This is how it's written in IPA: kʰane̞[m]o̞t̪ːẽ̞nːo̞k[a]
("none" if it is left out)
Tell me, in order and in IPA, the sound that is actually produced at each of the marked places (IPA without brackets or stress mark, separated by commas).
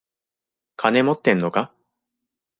m, a